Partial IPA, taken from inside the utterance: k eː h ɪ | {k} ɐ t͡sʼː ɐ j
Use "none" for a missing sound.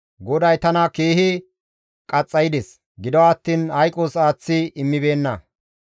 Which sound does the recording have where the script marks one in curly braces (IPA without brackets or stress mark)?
kʼ